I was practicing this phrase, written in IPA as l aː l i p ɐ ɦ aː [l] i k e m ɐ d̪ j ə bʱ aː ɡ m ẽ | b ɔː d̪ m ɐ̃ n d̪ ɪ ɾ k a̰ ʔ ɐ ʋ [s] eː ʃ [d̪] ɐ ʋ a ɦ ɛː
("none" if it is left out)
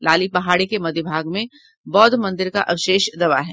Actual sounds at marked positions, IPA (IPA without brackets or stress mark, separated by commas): ɽ, ʃ, d̪